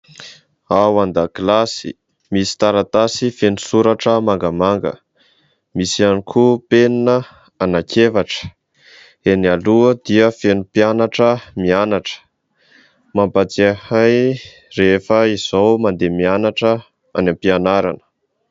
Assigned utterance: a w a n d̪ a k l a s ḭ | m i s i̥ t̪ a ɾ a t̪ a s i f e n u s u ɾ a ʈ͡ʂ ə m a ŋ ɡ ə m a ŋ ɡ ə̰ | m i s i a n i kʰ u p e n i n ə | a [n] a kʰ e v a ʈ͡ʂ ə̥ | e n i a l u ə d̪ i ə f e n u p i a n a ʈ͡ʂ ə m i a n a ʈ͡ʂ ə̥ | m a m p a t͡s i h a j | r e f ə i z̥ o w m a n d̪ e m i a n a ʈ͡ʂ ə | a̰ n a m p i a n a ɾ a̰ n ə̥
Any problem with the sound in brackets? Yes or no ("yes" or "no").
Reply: no